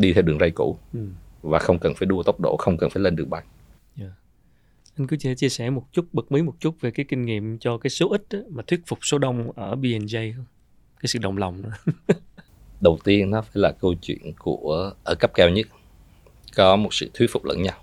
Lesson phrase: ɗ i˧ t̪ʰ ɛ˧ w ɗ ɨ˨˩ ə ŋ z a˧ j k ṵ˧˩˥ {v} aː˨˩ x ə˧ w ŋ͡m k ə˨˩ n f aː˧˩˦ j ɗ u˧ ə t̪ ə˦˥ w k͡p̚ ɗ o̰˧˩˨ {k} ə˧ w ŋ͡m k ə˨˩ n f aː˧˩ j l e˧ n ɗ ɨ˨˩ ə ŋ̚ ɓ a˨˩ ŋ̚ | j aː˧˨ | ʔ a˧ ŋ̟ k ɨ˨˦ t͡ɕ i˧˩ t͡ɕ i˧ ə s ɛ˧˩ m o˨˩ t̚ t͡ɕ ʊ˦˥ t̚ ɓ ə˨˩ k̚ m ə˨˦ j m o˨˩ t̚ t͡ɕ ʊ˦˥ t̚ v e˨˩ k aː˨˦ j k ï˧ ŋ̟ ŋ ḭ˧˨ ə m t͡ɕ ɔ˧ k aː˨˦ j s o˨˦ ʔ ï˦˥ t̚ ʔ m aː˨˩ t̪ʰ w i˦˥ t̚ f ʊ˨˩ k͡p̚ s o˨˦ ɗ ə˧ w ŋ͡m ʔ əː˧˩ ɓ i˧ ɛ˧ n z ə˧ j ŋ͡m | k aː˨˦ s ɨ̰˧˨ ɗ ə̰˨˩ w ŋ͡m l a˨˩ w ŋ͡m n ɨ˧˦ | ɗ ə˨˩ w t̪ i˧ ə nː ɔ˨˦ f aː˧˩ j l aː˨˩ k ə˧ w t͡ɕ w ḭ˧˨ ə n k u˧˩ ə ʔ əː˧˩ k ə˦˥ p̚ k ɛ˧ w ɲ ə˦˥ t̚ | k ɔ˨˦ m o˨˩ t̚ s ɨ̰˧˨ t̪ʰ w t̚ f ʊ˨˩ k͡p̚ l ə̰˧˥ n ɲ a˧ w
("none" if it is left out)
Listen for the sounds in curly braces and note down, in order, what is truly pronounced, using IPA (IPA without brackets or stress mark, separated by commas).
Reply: v, x